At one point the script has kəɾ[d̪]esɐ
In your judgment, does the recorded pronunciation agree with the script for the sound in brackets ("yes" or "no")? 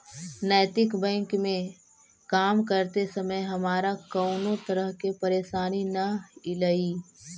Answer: no